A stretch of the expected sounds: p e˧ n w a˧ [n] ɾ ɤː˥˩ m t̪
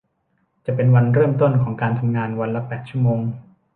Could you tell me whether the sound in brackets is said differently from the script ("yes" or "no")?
no